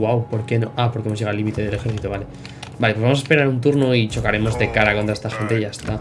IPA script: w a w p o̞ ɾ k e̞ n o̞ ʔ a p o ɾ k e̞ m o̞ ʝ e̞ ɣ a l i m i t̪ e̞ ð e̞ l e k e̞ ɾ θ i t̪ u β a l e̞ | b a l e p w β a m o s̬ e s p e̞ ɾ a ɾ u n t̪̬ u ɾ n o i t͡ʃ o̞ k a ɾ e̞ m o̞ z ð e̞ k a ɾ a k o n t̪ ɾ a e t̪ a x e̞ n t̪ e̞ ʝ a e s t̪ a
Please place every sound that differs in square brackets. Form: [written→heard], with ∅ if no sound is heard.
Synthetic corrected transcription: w a w p o̞ ɾ k e̞ n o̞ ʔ a p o ɾ k e̞ m o̞ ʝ e̞ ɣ a l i m i t̪ e̞ ð e̞ l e [k→x] e̞ ɾ θ i t̪ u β a l e̞ | b a l e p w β a m o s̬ e s p e̞ ɾ a ɾ u n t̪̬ u ɾ n o i t͡ʃ o̞ k a ɾ e̞ m o̞ z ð e̞ k a ɾ a k o n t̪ ɾ a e t̪ a x e̞ n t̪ e̞ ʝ a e s t̪ a